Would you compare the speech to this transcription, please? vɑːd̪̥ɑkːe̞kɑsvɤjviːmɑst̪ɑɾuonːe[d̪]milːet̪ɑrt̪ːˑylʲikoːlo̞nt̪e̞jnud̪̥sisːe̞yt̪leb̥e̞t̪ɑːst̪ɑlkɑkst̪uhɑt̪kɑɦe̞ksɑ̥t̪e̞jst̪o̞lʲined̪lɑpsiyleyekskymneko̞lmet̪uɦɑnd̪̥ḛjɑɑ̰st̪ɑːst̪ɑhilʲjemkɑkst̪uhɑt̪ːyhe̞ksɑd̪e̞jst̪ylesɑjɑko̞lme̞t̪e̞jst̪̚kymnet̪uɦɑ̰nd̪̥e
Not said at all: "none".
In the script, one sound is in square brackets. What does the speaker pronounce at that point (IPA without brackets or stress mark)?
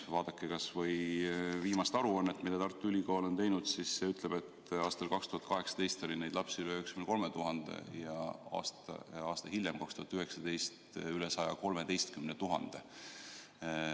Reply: t̪